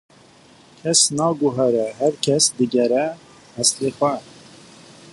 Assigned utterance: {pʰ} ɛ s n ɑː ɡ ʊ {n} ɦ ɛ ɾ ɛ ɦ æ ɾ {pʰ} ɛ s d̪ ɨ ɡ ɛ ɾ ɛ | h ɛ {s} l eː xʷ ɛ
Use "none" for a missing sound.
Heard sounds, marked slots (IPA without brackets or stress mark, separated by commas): kʰ, none, kʰ, s